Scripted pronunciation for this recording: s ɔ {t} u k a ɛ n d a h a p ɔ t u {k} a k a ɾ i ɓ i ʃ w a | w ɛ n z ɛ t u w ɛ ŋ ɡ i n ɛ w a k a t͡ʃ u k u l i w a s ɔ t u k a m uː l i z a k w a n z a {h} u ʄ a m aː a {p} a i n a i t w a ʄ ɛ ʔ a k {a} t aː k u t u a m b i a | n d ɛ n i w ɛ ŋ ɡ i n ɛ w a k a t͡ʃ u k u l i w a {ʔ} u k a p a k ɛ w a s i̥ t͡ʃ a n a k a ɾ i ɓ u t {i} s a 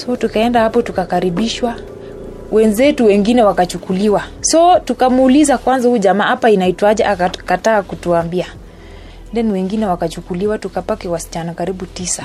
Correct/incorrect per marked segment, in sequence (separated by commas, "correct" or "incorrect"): correct, correct, correct, correct, correct, incorrect, correct